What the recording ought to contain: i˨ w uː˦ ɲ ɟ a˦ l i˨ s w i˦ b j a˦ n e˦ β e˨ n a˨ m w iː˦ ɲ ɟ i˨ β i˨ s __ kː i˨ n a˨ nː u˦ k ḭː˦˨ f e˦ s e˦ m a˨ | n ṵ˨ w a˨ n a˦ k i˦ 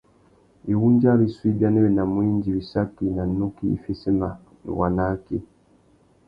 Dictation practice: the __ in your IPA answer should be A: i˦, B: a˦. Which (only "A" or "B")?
B